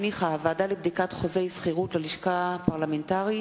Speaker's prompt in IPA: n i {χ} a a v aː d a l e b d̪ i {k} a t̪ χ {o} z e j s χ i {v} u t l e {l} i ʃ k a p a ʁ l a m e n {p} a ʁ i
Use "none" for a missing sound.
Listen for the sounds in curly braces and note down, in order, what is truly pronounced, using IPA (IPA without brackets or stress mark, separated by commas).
χ, k, o, ʁ, l, t